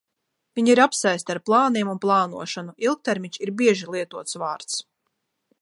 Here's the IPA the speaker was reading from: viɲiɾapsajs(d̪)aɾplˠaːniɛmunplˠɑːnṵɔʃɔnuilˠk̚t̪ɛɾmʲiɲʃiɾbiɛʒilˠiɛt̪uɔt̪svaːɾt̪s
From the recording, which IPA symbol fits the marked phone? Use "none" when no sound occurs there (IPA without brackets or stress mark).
t̪